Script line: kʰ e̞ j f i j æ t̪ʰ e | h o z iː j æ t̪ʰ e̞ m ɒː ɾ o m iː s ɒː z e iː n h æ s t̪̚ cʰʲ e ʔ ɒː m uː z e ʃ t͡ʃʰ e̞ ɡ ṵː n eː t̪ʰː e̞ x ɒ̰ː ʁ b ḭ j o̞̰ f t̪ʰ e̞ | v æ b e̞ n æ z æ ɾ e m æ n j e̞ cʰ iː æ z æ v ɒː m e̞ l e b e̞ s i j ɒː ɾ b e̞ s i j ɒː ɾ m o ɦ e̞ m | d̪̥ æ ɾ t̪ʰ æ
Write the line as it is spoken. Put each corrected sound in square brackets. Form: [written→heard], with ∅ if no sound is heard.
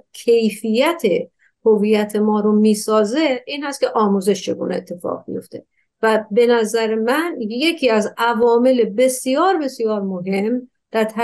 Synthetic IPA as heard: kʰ e̞ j f i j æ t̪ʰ e | h o [z→v] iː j æ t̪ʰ e̞ m ɒː ɾ o m iː s ɒː z e iː n h æ s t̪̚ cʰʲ e ʔ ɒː m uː z e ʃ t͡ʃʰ e̞ ɡ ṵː n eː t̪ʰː e̞ [x→f] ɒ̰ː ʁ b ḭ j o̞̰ f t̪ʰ e̞ | v æ b e̞ n æ z æ ɾ e m æ n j e̞ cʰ iː æ z æ v ɒː m e̞ l e b e̞ s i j ɒː ɾ b e̞ s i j ɒː ɾ m o ɦ e̞ m | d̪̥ æ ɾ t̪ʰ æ